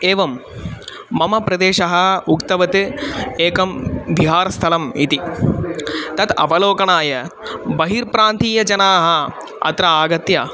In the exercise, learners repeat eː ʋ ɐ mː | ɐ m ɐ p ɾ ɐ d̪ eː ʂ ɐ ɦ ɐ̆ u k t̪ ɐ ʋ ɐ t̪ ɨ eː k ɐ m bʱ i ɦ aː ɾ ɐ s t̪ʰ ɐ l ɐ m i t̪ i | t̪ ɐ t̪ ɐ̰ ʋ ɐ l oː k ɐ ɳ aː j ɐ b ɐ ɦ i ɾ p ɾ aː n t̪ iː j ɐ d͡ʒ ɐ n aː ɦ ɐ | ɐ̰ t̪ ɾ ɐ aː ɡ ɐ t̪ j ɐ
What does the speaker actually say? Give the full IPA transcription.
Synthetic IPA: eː ʋ ɐ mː | ɐ m ɐ p ɾ ɐ d̪ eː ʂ ɐ ɦ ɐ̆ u k t̪ ɐ ʋ ɐ t̪ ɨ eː k ɐ m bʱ i ɦ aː ɾ ɐ s t̪ʰ ɐ l ɐ m i t̪ i | t̪ ɐ t̪ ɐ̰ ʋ ɐ l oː k ɐ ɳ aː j ɐ b ɐ ɦ i ɾ p ɾ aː n t̪ iː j ɐ d͡ʒ ɐ n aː ɦ ɐ | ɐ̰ t̪ ɾ ɐ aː ɡ ɐ t̪ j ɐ